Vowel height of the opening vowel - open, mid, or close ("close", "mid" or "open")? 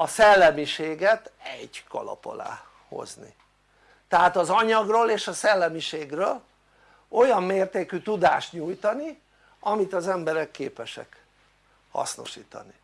open